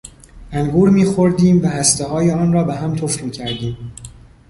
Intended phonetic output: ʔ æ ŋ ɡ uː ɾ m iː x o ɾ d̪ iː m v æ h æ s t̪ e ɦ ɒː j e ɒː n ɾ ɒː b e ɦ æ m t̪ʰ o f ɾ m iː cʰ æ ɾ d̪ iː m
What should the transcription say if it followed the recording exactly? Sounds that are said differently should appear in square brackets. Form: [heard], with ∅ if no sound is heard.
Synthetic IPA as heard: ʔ æ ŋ ɡ uː ɾ m iː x o ɾ d̪ iː m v æ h æ s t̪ e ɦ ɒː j e ɒː n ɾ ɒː b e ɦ æ m t̪ʰ o f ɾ m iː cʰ æ ɾ d̪ iː m